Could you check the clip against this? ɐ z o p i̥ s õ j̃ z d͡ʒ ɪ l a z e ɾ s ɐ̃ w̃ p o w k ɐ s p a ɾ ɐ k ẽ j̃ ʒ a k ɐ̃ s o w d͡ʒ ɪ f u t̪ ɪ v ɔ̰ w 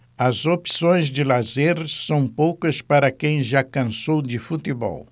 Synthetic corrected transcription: ɐ z o p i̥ s õ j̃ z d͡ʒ ɪ l a z e ɾ s ɐ̃ w̃ p o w k ɐ s p a ɾ ɐ k ẽ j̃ ʒ a k ɐ̃ s o w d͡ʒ ɪ f u t̪ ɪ b ɔ̰ w